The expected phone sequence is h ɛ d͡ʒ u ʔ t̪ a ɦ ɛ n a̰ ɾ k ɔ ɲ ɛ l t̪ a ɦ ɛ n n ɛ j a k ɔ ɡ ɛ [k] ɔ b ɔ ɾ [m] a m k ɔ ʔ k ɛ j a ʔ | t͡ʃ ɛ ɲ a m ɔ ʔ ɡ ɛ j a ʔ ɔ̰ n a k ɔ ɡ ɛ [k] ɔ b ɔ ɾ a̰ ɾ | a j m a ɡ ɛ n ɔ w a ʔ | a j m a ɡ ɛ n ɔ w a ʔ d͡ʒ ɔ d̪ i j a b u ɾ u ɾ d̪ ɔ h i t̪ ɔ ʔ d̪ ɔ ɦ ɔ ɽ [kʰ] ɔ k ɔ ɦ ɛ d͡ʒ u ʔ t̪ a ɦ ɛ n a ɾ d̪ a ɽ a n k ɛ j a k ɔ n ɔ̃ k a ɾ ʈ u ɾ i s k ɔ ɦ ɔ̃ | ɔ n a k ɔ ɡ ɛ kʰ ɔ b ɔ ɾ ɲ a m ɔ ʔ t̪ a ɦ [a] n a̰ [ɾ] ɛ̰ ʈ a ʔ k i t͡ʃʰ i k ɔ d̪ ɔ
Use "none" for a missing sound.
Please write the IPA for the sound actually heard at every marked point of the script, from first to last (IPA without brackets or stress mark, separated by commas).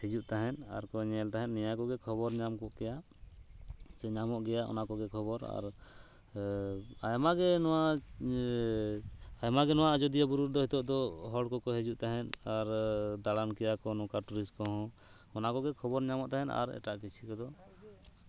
kʰ, ɲ, kʰ, k, ɛ, ɾ